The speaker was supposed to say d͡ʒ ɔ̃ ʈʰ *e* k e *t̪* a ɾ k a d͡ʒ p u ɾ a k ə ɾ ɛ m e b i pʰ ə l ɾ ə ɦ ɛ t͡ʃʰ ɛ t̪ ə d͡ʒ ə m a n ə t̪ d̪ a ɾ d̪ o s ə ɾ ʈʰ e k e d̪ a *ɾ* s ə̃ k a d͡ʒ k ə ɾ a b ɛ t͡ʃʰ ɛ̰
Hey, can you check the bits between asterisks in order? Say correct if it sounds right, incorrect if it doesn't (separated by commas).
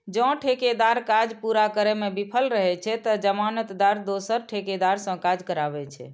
correct, incorrect, correct